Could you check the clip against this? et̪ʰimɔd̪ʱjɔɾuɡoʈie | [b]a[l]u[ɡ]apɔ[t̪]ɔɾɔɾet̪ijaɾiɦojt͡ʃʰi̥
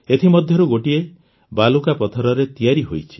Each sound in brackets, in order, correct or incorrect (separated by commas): correct, correct, incorrect, incorrect